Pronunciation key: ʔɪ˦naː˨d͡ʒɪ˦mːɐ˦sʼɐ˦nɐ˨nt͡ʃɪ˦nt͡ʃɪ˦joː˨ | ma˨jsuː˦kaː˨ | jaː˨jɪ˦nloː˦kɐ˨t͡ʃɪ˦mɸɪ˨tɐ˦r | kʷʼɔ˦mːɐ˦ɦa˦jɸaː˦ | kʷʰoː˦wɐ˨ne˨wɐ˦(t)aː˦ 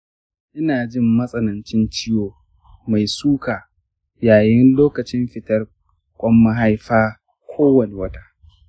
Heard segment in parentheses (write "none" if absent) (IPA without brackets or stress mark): t